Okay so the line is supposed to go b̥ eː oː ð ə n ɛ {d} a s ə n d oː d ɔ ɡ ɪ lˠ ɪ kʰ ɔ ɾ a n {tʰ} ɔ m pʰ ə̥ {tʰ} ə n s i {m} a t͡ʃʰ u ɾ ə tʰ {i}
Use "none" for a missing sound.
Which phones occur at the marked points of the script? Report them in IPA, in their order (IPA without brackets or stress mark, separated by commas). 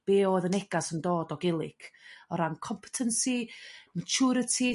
ɡ, kʰ, tʰ, m, i